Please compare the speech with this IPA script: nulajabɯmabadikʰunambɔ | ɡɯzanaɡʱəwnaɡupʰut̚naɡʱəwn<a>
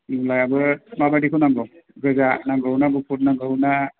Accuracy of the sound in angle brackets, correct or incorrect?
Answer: correct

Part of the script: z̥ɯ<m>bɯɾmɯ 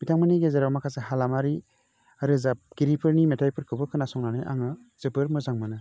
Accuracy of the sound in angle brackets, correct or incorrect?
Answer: incorrect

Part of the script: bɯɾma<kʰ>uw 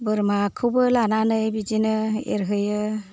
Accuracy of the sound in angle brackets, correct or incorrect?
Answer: correct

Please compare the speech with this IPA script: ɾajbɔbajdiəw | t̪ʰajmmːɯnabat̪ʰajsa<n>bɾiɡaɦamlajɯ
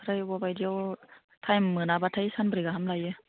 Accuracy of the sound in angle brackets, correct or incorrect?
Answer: correct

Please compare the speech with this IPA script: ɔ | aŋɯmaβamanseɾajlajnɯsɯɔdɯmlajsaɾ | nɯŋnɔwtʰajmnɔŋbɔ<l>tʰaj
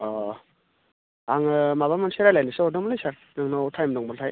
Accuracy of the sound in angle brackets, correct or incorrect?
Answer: correct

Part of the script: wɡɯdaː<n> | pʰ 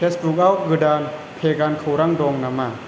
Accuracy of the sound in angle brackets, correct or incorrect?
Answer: correct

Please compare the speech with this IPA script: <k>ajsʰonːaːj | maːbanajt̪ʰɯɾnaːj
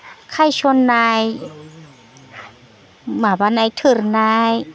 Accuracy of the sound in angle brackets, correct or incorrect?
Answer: incorrect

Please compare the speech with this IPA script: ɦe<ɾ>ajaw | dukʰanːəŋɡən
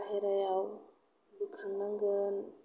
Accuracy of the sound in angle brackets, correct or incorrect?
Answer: correct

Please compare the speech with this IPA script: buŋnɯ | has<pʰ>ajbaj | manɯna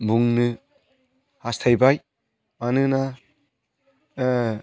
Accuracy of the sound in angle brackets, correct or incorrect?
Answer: incorrect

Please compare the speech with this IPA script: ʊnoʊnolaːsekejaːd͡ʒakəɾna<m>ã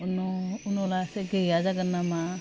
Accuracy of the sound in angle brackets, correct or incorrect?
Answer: correct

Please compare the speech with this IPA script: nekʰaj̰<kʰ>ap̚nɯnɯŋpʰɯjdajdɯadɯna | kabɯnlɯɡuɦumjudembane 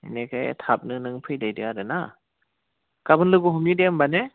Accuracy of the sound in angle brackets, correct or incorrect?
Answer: incorrect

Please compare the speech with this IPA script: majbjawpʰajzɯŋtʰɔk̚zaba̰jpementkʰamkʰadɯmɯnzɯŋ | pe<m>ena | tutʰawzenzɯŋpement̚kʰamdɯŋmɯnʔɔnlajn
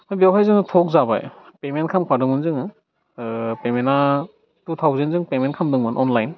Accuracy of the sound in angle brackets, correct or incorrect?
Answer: correct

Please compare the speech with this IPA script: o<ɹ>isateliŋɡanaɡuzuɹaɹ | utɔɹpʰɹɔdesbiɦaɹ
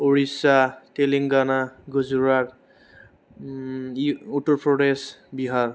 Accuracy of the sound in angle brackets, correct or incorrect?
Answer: correct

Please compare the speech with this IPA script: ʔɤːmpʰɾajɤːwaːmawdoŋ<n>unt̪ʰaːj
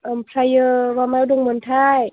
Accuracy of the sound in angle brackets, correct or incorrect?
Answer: incorrect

